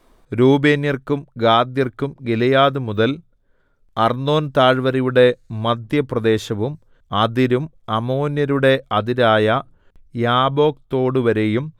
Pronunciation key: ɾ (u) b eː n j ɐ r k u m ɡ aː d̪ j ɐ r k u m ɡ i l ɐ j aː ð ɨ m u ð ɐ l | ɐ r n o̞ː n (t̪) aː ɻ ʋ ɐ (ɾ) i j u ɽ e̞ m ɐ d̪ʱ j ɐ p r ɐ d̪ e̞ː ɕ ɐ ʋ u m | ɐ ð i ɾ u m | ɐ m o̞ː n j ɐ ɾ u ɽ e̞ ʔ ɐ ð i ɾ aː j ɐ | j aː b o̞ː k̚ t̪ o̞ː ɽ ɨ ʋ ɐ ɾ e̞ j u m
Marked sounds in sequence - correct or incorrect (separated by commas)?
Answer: incorrect, correct, correct